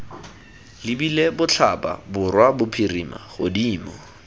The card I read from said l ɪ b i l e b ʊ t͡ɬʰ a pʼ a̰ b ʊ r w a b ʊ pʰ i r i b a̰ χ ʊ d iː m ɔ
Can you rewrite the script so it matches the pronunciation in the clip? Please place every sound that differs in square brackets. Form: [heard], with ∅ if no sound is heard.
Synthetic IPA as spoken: l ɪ b i l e b ʊ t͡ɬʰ a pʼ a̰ b ʊ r w a b ʊ pʰ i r i [m] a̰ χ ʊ d iː m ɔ